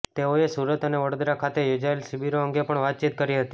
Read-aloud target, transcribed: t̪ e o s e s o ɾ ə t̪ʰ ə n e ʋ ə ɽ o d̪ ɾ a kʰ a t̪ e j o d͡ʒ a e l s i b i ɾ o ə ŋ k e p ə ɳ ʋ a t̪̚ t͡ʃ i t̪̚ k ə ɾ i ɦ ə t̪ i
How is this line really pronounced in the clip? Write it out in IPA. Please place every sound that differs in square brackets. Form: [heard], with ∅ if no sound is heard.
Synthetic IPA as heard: t̪ e o [∅] e s [u] ɾ ə [t̪] ə n e ʋ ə ɽ o d̪ ɾ a kʰ a t̪ e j o d͡ʒ a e l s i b i ɾ o ə ŋ [ɡ] e p ə ɳ ʋ a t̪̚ t͡ʃ i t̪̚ k ə ɾ i ɦ ə t̪ i